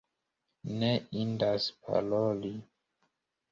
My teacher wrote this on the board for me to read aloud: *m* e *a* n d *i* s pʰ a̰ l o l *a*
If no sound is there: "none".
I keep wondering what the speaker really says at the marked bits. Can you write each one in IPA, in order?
n, i, a, i

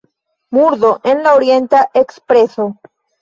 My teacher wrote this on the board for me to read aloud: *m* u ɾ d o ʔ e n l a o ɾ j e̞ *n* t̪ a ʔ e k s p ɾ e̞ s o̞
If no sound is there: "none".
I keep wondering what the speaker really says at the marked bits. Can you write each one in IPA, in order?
m, n

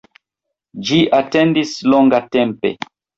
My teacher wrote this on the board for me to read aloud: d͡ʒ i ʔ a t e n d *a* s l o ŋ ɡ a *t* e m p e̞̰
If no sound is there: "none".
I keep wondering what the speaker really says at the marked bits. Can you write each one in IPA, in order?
i, t

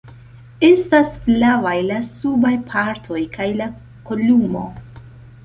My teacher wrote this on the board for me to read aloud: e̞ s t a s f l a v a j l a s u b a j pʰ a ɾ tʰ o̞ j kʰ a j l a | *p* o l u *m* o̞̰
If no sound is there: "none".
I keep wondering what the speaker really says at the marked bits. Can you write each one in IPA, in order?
k, m

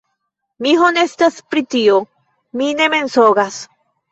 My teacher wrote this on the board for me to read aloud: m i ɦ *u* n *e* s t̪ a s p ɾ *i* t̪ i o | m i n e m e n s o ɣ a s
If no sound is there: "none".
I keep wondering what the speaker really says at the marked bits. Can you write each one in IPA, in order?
o, e, i

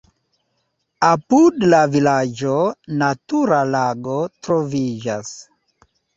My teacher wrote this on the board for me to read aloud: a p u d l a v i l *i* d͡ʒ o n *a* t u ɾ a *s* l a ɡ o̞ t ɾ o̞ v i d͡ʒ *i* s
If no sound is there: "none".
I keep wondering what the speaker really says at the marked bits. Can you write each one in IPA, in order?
a, a, none, a

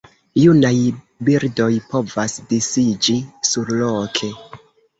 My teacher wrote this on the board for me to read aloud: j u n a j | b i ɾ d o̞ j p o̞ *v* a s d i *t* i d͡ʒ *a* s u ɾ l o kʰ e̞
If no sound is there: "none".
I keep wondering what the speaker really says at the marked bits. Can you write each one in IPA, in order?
v, s, i

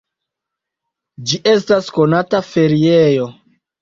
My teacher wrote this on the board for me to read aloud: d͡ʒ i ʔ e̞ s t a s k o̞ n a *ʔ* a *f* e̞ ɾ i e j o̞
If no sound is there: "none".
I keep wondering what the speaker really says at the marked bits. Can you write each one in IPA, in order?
t, f

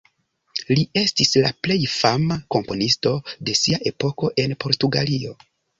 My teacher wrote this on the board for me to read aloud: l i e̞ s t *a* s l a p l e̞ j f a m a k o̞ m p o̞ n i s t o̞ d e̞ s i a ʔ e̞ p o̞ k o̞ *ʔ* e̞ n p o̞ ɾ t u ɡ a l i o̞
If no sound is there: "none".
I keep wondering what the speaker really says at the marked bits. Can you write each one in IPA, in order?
i, ʔ

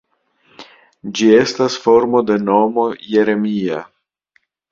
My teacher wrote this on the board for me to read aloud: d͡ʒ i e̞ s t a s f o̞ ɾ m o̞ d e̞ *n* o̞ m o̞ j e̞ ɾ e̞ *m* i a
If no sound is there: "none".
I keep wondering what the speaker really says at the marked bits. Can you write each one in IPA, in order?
n, m

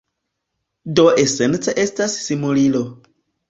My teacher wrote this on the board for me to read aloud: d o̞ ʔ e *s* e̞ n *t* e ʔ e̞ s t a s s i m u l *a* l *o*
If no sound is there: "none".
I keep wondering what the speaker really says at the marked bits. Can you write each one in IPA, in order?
s, t͡s, i, o

